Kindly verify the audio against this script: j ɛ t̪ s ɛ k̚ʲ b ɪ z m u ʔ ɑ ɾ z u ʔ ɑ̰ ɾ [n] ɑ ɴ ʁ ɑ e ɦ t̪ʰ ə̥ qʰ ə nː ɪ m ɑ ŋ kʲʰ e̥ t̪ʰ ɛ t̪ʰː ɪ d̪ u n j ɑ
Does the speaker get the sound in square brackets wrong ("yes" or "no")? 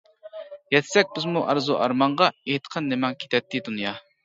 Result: yes